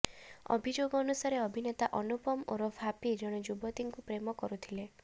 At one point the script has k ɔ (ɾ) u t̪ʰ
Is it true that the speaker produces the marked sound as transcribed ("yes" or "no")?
yes